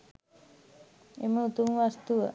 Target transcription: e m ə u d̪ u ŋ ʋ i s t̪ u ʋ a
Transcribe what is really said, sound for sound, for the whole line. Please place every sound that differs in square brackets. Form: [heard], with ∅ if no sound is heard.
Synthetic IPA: e m ə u [t̪] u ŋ ʋ [a] s t̪ u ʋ [ə]